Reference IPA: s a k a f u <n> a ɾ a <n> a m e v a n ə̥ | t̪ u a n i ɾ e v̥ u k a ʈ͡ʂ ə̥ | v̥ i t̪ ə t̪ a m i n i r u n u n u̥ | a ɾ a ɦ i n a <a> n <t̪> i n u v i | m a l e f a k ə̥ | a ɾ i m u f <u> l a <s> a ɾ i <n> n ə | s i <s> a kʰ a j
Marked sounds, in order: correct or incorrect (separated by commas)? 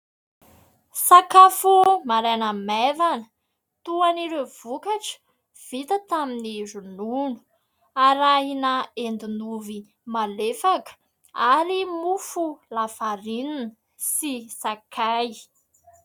incorrect, correct, incorrect, incorrect, correct, incorrect, correct, correct